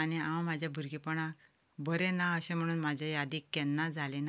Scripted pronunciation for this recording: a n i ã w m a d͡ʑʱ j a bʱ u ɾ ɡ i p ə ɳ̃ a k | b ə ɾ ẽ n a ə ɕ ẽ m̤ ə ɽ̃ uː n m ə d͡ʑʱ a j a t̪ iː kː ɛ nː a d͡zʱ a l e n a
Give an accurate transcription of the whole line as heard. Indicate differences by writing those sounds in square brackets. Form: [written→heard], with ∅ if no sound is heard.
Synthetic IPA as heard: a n i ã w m a d͡ʑʱ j a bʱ u ɾ ɡ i p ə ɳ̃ a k | b ə ɾ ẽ n a ə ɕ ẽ m̤ ə ɽ̃ uː n m [ə→a] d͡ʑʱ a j a [t̪→d̪] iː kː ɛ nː a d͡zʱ a l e n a